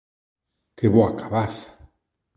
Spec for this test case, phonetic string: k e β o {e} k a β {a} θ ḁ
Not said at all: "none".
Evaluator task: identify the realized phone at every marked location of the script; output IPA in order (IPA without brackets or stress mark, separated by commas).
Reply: a, a